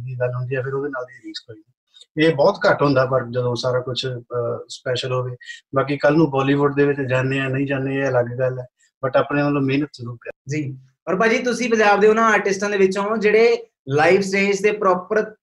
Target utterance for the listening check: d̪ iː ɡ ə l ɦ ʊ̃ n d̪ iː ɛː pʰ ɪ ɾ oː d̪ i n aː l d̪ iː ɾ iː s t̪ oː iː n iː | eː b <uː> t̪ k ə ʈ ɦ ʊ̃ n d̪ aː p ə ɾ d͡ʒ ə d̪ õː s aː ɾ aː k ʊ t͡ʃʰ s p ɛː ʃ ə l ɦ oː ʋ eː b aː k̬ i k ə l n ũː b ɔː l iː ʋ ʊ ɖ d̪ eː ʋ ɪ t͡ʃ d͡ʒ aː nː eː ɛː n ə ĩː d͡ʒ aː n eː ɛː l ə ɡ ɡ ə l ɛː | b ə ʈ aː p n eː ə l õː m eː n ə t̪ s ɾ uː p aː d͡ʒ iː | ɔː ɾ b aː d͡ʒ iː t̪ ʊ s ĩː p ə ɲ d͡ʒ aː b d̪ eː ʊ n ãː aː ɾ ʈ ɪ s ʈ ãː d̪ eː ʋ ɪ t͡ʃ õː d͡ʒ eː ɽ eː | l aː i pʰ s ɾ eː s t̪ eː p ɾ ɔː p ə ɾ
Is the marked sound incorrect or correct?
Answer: incorrect